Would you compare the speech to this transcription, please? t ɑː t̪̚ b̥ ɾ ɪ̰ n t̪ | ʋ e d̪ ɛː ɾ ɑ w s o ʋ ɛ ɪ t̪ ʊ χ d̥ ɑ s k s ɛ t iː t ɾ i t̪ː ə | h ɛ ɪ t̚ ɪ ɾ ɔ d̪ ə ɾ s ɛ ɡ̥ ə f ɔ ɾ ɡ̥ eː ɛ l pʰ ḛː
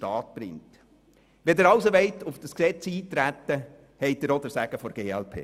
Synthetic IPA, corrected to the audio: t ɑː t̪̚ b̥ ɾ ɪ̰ ŋ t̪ | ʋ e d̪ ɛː ɾ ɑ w s o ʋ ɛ ɪ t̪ ʊ f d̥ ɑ s k s ɛ t͡s iː t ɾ æ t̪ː ə | h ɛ ɪ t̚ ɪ ɾ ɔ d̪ ə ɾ s æ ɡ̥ ə f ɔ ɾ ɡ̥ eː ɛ l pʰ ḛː